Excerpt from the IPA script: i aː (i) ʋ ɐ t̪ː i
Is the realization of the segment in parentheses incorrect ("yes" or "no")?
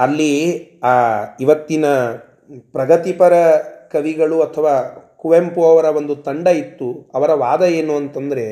no